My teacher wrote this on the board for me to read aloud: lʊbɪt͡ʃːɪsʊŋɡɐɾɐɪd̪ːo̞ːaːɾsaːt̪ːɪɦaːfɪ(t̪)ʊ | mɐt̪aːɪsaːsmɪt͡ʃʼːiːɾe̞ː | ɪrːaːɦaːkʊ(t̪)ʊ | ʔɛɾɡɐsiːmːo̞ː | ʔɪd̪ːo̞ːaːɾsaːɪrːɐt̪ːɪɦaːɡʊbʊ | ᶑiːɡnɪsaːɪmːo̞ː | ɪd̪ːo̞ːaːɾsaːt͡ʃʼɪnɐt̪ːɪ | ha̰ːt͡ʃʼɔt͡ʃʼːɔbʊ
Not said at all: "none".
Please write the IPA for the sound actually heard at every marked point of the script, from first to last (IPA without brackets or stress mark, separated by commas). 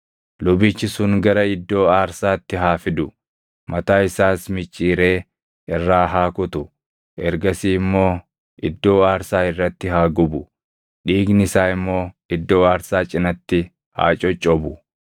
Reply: d̪, t̪